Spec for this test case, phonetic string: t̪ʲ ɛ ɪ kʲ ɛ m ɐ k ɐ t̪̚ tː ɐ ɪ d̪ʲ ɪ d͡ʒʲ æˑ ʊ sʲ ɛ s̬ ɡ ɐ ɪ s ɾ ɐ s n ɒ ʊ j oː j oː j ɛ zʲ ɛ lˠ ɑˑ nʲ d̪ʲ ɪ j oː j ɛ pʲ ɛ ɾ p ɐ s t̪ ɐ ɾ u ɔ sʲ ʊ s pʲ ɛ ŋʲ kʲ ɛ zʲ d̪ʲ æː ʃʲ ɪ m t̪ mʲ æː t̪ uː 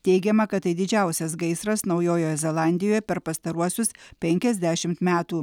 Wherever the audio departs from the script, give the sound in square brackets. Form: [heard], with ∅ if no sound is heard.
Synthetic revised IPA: t̪ʲ ɛ ɪ [ɡʲ] ɛ m ɐ k ɐ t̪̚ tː ɐ ɪ d̪ʲ ɪ d͡ʒʲ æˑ ʊ sʲ ɛ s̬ ɡ ɐ ɪ s ɾ ɐ s n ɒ ʊ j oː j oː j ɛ zʲ ɛ lˠ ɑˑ nʲ d̪ʲ ɪ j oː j ɛ pʲ ɛ ɾ p ɐ s t̪ ɐ ɾ u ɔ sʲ ʊ s pʲ ɛ ŋʲ kʲ ɛ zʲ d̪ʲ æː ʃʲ ɪ m t̪ mʲ æː t̪ uː